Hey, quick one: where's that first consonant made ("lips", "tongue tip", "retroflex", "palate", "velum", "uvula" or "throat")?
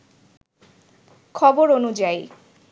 velum